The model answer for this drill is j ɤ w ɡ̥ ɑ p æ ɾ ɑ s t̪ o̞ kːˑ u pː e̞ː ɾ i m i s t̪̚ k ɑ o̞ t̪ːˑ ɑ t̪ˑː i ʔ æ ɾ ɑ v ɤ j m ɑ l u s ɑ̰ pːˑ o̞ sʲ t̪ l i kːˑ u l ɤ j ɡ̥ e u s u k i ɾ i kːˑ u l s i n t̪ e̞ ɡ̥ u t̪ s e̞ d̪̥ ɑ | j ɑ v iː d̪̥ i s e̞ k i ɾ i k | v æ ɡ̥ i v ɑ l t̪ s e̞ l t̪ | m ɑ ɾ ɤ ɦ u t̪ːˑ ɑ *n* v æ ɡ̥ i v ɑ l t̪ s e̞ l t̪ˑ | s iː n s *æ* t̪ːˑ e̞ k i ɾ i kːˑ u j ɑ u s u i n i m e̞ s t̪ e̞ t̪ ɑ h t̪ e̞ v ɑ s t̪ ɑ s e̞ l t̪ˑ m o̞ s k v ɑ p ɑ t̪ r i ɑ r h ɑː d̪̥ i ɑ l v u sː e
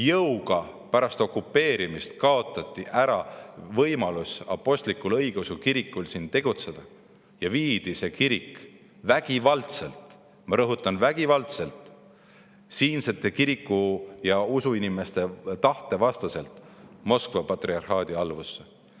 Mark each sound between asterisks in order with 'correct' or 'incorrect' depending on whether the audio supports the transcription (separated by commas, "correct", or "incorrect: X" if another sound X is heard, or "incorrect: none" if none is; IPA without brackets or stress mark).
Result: correct, incorrect: e